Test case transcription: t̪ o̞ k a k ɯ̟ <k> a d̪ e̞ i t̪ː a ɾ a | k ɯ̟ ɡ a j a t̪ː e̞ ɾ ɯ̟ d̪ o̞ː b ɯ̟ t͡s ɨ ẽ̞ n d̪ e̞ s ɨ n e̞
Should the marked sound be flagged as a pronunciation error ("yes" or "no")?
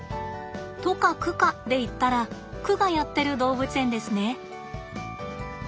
no